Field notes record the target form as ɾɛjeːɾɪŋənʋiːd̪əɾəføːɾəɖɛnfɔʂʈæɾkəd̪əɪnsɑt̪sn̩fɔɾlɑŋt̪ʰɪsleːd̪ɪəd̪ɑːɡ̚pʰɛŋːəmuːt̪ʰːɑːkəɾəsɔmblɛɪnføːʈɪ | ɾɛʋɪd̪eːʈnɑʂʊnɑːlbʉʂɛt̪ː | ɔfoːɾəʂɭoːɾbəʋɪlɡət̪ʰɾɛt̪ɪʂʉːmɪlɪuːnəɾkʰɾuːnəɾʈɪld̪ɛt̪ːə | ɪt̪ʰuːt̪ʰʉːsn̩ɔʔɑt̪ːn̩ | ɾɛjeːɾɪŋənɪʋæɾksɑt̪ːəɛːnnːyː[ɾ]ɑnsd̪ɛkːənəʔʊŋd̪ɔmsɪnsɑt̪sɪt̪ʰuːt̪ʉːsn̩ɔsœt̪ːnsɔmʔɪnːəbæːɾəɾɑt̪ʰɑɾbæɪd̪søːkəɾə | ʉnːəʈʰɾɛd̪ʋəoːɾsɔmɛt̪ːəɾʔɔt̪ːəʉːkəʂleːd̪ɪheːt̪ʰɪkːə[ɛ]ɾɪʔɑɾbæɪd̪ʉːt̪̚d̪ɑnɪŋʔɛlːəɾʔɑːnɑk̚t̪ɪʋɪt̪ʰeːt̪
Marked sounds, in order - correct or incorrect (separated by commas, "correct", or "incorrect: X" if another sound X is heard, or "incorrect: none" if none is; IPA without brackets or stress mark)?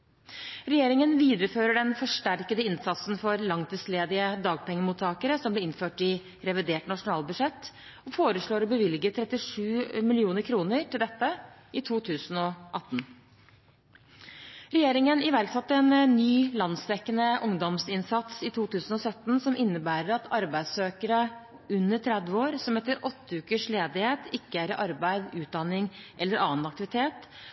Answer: incorrect: l, incorrect: æ